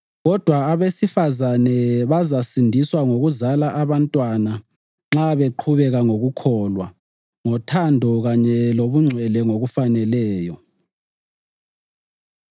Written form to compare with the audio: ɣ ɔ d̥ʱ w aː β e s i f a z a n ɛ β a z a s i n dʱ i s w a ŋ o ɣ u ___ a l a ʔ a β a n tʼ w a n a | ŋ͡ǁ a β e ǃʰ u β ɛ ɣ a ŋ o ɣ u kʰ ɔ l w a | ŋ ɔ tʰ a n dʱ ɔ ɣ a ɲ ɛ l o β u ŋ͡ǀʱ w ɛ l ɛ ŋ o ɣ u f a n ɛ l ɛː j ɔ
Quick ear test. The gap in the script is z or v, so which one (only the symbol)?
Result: z